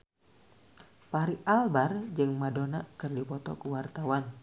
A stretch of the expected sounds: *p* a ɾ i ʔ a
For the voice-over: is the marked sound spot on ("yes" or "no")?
yes